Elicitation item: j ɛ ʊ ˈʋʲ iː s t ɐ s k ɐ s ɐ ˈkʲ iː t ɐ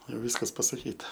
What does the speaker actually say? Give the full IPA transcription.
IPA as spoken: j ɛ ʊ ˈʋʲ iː s k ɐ s p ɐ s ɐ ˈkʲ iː t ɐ